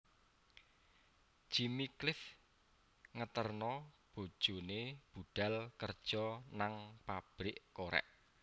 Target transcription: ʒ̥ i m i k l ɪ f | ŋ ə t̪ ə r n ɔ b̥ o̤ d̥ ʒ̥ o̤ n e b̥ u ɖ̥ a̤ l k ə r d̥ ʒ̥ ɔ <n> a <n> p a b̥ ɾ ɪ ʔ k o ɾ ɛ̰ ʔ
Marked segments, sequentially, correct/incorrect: correct, incorrect: ŋ

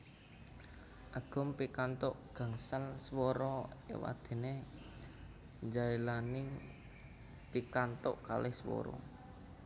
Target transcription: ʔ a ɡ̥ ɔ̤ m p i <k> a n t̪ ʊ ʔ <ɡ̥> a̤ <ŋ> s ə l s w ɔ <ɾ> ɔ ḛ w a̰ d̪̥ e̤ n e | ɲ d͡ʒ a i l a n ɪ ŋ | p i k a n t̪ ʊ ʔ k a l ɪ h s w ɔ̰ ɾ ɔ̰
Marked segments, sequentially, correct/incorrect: correct, correct, correct, correct

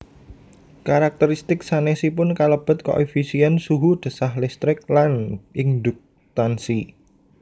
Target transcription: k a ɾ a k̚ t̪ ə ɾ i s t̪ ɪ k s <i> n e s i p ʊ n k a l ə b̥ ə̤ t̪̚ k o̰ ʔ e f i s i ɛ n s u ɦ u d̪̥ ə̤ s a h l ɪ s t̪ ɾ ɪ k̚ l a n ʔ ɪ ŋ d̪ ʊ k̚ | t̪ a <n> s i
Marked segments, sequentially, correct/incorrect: incorrect: a, correct

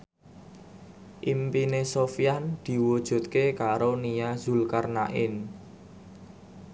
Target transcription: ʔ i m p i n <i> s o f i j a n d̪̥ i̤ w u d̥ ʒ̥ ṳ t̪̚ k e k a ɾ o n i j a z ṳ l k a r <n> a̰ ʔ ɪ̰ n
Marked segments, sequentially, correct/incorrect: incorrect: e, correct

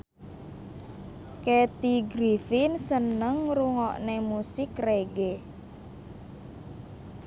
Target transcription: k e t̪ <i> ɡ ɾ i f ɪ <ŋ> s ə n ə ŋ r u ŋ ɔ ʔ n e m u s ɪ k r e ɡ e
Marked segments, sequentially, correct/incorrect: correct, incorrect: n

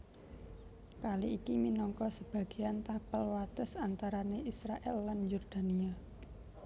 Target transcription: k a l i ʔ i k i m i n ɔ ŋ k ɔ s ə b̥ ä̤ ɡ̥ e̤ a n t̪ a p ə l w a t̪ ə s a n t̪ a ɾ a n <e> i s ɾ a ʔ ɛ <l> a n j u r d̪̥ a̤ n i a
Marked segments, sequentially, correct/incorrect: correct, incorrect: lː

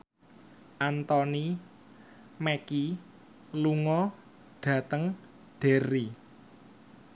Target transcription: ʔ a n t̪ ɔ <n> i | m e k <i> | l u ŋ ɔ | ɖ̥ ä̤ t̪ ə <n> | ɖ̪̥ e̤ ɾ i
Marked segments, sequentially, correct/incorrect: correct, correct, incorrect: ŋ

